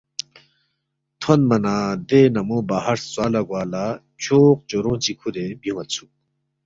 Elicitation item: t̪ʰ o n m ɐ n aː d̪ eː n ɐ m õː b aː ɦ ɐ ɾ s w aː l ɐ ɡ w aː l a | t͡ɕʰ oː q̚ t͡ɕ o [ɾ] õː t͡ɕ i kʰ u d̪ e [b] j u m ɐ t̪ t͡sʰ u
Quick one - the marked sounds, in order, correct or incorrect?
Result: correct, correct

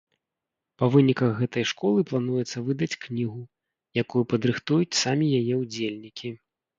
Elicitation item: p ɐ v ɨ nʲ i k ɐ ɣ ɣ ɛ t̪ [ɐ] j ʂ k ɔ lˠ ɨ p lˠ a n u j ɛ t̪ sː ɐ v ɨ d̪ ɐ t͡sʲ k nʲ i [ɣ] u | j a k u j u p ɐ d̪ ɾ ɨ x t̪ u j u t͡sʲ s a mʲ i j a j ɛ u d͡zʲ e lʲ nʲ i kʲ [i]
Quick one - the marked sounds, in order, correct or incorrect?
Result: correct, correct, correct

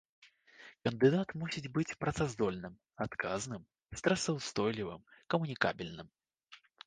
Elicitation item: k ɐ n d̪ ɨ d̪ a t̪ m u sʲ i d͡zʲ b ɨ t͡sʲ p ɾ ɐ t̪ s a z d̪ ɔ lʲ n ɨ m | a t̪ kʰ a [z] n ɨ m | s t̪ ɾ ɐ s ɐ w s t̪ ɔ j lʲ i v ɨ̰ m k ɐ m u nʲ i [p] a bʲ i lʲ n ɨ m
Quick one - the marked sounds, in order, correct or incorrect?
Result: correct, incorrect: k

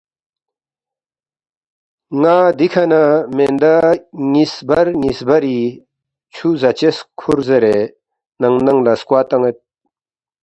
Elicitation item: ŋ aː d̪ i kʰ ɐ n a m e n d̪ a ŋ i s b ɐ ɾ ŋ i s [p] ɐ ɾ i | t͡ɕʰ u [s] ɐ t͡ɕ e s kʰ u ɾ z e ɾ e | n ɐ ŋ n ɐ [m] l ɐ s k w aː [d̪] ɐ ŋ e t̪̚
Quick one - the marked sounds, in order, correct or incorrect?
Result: incorrect: b, incorrect: z, incorrect: ŋ, incorrect: t̪

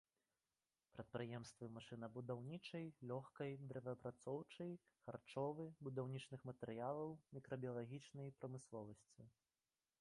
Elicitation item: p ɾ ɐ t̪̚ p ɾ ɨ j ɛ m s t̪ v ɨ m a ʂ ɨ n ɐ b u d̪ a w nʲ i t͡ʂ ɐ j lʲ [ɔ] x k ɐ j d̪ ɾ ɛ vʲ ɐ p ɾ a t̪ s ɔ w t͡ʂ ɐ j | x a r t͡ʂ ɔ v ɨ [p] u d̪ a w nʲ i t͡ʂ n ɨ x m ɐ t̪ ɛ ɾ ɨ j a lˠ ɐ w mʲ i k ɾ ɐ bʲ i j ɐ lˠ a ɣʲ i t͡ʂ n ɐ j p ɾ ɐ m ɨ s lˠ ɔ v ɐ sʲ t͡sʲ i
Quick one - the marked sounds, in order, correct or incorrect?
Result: correct, incorrect: b

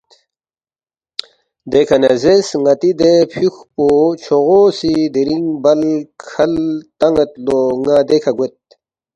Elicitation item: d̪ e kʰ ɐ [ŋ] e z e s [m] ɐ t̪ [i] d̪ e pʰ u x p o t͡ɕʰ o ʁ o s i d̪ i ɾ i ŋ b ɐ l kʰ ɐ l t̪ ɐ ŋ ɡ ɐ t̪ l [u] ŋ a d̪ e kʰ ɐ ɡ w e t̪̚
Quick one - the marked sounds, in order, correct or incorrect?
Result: incorrect: n, incorrect: ŋ, correct, incorrect: o

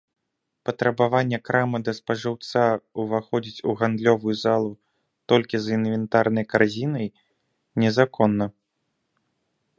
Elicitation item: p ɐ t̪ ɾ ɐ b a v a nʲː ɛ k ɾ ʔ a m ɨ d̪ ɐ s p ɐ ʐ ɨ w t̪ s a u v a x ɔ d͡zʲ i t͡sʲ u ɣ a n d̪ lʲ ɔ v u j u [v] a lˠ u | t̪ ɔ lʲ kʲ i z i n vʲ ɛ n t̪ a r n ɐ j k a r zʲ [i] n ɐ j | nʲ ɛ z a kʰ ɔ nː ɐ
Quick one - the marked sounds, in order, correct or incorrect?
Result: incorrect: z, correct

